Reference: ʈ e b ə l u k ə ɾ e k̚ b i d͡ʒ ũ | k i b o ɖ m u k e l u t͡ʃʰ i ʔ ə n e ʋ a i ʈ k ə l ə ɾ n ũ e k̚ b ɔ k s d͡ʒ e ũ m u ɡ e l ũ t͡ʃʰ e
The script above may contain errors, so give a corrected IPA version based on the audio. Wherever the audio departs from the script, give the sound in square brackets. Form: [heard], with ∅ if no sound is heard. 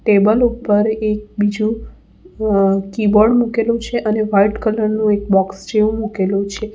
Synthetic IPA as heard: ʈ e b ə l u [p] ə ɾ e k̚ b i d͡ʒ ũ | k i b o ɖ m u k e l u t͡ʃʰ [e] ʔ ə n e ʋ a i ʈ k ə l ə ɾ n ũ e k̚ b ɔ k s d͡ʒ e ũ m u [k] e l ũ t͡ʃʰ e